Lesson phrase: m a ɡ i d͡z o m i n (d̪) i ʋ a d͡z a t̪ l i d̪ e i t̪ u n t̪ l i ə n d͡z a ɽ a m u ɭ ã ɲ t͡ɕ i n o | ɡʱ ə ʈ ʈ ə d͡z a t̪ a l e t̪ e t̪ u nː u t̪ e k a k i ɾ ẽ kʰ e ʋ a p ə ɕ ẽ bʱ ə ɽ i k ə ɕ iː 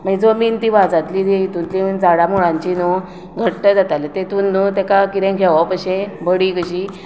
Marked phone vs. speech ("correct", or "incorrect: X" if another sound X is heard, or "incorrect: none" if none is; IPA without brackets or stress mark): incorrect: t̪